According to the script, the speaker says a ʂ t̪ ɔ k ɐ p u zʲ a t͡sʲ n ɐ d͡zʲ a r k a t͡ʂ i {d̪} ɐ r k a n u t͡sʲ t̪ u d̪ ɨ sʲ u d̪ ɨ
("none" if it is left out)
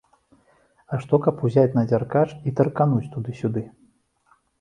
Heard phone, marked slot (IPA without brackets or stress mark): t̪